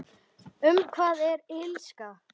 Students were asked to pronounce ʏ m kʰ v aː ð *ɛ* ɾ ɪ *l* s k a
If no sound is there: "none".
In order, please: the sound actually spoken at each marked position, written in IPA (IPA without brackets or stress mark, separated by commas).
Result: ɛ, l